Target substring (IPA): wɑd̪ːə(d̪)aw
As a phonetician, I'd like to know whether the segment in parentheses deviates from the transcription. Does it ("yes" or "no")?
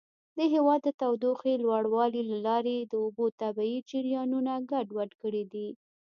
yes